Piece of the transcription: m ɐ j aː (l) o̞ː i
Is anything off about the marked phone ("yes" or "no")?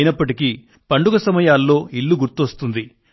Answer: yes